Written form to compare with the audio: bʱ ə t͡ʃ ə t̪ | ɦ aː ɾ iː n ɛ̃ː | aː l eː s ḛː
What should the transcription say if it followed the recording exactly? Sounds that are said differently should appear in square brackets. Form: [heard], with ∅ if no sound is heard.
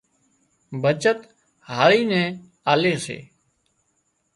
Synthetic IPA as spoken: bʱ ə t͡ʃ ə t̪ | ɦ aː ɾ iː n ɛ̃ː | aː l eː s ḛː